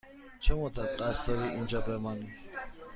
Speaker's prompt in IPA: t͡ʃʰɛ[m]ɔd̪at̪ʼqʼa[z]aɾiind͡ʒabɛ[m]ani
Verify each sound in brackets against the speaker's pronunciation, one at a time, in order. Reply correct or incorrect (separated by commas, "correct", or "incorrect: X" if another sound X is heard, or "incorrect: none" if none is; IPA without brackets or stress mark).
correct, incorrect: s, correct